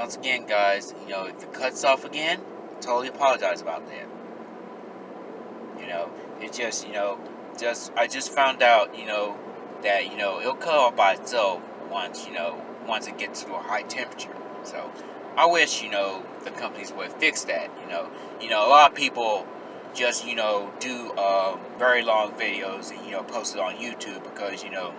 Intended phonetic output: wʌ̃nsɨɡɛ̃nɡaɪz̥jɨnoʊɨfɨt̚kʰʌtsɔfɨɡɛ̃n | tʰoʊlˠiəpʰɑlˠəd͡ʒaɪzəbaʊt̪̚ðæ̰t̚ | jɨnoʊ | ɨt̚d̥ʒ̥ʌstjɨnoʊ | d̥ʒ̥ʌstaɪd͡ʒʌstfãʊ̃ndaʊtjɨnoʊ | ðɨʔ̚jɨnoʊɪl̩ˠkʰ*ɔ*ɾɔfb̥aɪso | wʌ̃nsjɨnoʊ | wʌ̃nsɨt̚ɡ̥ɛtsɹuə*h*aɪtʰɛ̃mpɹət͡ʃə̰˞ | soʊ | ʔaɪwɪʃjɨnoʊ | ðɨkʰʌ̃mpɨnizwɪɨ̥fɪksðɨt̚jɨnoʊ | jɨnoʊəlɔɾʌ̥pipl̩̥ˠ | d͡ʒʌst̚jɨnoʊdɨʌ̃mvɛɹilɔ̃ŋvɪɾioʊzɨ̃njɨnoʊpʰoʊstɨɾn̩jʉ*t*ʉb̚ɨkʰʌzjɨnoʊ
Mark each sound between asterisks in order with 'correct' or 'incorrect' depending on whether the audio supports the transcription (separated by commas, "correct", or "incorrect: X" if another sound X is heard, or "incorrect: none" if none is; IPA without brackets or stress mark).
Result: incorrect: ʌ, correct, incorrect: tʰ